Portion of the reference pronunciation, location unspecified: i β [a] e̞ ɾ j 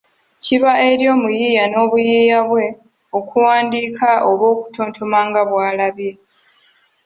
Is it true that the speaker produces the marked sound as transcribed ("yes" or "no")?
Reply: yes